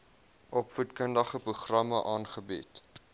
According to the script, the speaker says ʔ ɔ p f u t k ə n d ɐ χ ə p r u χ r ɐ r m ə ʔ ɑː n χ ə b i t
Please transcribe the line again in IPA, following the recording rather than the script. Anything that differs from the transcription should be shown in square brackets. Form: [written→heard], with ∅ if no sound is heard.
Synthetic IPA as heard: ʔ ɔ p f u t k ə n d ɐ χ ə p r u χ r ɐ [r→∅] m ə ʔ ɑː n χ ə b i t